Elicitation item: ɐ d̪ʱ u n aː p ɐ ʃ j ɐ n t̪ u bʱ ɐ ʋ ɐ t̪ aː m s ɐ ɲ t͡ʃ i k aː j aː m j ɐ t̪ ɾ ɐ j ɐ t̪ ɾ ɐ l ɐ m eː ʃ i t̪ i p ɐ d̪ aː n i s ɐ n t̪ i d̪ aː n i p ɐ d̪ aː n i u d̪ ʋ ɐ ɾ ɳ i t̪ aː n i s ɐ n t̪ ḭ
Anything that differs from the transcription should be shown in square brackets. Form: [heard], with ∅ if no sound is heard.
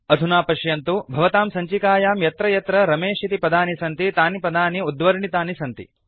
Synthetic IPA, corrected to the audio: ɐ d̪ʱ u n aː p ɐ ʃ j ɐ n t̪ u bʱ ɐ ʋ ɐ t̪ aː m s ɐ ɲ t͡ʃ i k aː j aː m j ɐ t̪ ɾ ɐ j ɐ t̪ ɾ ɐ [ɾ] ɐ m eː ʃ i t̪ i p ɐ d̪ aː n i s ɐ n t̪ i [t̪] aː n i p ɐ d̪ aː n i u d̪ ʋ ɐ ɾ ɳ i t̪ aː n i s ɐ n t̪ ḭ